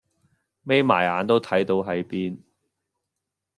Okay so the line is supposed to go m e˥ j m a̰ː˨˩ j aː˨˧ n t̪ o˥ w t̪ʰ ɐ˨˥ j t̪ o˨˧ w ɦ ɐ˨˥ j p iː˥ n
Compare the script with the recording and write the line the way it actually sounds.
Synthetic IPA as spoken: m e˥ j m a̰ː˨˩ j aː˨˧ n t̪ o˥ w t̪ʰ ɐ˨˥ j t̪ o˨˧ w ɦ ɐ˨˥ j p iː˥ n